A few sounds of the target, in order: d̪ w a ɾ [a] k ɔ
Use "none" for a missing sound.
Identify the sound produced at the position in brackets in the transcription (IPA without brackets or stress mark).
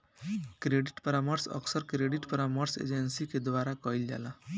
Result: a